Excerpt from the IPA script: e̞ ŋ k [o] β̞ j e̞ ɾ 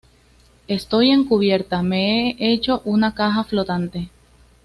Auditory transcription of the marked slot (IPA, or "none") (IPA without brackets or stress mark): u